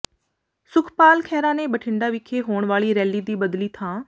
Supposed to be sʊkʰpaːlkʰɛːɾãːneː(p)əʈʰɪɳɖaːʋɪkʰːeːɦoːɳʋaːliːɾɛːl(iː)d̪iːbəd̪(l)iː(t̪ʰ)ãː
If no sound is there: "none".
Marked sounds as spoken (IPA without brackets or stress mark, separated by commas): b, iː, l, t̪ʰ